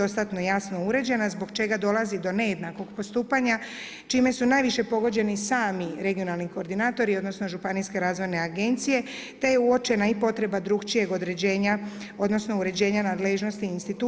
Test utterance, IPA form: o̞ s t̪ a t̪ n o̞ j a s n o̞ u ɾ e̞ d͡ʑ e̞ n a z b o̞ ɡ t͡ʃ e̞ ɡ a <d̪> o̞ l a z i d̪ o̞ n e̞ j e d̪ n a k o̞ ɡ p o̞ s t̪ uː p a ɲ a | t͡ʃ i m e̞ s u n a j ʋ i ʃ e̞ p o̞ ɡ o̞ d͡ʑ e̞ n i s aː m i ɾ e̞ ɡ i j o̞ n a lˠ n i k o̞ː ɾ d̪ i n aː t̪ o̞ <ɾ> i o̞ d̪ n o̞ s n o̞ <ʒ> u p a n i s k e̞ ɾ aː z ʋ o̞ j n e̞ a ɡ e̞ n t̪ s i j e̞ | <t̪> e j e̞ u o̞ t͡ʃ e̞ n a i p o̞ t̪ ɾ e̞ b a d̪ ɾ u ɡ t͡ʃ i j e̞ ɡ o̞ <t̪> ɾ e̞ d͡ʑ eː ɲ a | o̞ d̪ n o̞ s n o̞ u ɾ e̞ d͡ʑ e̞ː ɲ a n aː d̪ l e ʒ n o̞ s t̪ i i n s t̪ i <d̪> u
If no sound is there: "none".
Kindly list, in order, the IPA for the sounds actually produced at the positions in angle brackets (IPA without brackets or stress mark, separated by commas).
d̪, ɾ, ʒ, t̪, d̪, t̪